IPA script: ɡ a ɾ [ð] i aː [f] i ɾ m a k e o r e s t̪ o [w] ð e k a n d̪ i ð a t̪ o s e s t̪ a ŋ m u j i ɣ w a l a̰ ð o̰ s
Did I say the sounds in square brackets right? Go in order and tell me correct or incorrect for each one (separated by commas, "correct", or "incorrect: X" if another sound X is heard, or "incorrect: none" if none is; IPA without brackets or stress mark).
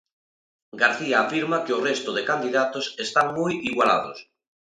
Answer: incorrect: θ, correct, incorrect: none